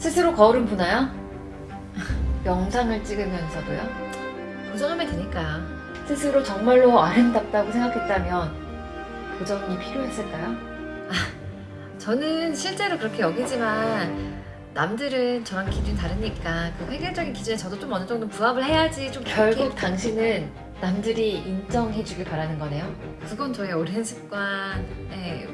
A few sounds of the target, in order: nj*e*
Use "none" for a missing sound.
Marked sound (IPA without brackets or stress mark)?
e